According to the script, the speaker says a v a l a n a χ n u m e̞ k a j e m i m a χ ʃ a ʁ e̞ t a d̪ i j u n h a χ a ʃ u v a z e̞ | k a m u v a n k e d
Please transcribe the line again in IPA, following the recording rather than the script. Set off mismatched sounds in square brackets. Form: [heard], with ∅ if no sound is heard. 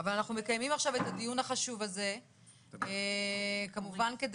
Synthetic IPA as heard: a v a l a n a χ n u m e̞ k a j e m i m a χ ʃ a [v] e̞ t a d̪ i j u n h a χ a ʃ u v a z e̞ | k a m u v a n k e d